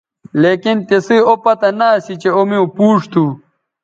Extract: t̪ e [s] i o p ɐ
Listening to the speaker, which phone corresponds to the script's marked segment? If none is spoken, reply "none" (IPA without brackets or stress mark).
s